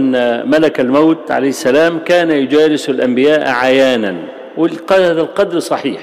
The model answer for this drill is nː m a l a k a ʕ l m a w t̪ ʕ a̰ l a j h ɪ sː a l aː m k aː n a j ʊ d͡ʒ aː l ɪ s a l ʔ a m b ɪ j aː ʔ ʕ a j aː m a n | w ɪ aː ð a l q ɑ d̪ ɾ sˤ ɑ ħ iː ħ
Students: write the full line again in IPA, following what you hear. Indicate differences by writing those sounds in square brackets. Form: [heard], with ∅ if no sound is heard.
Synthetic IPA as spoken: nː m a l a k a [∅] l m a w t̪ ʕ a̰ l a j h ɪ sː a l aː m k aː n a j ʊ d͡ʒ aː l ɪ s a l ʔ a m b ɪ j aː ʔ ʕ a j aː [n] a n | w ɪ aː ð a l q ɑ d̪ ɾ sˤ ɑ ħ iː ħ